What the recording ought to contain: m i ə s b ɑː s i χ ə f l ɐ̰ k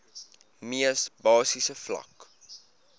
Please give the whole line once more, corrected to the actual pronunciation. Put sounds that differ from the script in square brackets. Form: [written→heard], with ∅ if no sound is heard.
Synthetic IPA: m i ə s b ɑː s i [χ→s] ə f l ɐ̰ k

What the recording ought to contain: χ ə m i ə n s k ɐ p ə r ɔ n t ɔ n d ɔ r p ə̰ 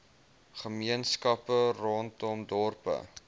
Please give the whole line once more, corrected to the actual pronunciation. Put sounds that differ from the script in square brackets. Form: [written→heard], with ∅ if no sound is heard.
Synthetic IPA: χ ə m i ə n s k ɐ p ə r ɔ n t ɔ [n→m] d ɔ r p ə̰

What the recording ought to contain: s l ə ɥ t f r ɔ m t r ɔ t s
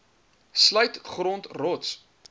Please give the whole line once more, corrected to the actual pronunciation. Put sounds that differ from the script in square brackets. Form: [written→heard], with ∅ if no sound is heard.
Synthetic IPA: s l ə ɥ t [f→χ] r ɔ [m→n] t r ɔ t s

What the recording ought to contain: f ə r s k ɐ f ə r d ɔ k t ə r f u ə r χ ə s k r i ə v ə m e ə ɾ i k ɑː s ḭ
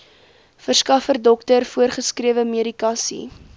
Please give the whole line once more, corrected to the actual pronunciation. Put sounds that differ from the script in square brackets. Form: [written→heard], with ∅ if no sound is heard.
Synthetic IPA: f ə r s k ɐ f ə r d ɔ k t ə r f u ə r χ ə s k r i ə v ə m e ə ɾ i k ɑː s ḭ

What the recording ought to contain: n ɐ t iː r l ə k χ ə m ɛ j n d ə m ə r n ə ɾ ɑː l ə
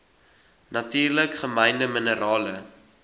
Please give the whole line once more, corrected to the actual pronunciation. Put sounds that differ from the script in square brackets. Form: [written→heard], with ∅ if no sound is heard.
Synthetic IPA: n ɐ t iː r l ə k χ ə m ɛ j n d ə m ə [r→∅] n ə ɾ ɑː l ə

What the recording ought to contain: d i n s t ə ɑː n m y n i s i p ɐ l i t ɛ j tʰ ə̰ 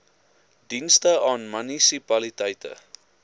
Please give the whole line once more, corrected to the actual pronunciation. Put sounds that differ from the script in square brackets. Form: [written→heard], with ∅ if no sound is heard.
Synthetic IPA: d i n s t ə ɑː n m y n i s i p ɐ l i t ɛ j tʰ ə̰

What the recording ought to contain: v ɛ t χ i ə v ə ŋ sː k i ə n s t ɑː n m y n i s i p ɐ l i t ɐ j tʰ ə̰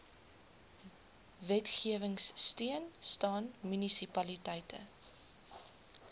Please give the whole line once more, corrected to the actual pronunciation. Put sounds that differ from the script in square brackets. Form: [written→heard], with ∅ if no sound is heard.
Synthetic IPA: v ɛ t χ i ə v ə ŋ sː [k→t] i ə n s t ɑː n m y n i s i p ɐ l i t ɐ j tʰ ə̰

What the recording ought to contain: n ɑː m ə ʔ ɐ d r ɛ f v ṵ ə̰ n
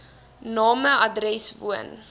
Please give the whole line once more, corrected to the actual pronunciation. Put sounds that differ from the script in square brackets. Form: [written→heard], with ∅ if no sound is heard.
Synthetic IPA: n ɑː m ə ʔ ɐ d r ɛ [f→s] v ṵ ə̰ n

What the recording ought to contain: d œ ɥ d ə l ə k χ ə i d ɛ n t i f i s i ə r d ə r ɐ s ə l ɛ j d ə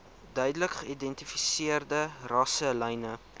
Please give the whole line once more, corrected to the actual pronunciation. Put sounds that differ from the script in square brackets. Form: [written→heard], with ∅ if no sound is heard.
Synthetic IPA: d œ ɥ d ə l ə k χ ə i d ɛ n t i f i s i ə r d ə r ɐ s ə l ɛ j [d→n] ə

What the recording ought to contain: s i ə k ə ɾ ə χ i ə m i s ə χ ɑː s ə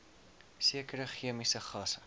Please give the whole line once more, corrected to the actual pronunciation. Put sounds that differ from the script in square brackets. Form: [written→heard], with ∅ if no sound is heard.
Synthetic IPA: s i ə k ə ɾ ə χ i ə m i s ə χ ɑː s ə

